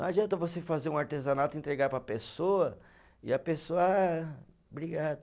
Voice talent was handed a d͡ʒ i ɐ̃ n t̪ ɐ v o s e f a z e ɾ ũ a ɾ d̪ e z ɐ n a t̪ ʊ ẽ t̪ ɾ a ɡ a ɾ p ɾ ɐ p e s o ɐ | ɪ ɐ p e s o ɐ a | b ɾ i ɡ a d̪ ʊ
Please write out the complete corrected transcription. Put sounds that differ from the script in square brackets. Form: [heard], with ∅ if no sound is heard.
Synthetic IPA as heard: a d͡ʒ i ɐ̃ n t̪ ɐ v o s e f a z e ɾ ũ a ɾ [t̪] e z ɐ n a t̪ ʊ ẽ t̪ ɾ [e] ɡ a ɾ p ɾ ɐ p e s o ɐ | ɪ ɐ p e s o ɐ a | b ɾ i ɡ a d̪ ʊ